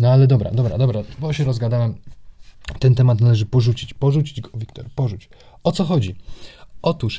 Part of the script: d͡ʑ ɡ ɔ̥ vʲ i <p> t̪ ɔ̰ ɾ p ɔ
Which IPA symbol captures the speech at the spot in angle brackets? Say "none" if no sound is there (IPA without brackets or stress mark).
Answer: k